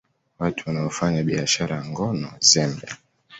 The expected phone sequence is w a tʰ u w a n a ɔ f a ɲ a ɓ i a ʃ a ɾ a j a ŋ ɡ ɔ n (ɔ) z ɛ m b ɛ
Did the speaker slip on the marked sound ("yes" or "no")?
no